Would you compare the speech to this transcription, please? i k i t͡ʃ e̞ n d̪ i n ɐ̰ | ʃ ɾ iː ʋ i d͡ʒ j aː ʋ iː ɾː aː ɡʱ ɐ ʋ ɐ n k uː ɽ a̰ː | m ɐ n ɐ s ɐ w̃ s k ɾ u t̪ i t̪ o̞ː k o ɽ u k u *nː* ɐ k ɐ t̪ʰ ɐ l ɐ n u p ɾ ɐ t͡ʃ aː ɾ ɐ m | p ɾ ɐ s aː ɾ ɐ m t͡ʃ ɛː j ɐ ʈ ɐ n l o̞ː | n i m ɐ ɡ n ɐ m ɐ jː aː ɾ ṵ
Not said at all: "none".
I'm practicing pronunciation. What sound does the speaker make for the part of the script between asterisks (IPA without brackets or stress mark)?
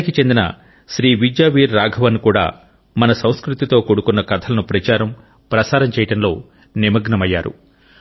nː